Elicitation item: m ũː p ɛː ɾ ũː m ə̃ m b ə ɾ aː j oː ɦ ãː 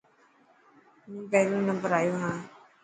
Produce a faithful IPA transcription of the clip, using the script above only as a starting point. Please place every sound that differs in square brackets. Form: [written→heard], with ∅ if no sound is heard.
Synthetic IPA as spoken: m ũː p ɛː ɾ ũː [m→n] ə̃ m b ə ɾ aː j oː ɦ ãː